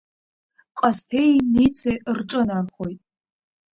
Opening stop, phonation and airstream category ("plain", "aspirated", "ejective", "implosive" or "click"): ejective